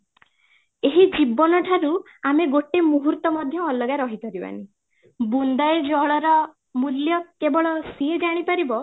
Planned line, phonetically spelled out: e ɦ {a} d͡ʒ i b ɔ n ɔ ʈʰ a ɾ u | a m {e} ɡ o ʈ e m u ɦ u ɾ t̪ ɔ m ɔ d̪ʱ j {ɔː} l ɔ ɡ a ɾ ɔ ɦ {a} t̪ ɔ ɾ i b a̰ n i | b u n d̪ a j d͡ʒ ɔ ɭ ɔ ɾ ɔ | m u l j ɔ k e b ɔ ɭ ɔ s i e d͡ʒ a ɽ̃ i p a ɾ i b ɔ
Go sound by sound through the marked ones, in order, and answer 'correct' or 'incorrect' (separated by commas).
incorrect, correct, correct, incorrect